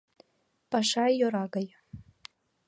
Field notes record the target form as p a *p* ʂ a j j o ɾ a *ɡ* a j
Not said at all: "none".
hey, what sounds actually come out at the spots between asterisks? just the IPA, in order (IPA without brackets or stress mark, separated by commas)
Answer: none, ɡ